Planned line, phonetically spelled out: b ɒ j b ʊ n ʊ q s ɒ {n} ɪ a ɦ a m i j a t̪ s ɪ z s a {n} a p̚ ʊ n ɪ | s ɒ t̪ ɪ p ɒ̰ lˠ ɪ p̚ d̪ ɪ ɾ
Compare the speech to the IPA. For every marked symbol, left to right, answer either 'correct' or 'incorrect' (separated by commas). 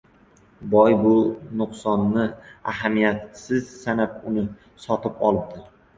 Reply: incorrect, correct